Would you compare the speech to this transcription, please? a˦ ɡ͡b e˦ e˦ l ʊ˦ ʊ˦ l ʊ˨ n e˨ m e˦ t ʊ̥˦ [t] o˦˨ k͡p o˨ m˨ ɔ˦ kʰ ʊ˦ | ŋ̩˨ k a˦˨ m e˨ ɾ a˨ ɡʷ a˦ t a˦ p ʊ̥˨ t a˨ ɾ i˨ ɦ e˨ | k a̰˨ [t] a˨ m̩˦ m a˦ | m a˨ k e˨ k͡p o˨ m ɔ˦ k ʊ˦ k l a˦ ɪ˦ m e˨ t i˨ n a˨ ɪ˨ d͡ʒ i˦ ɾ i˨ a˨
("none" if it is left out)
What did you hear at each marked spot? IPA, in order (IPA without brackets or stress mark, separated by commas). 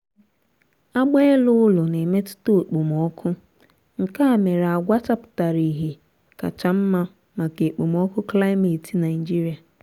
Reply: t, t͡ʃ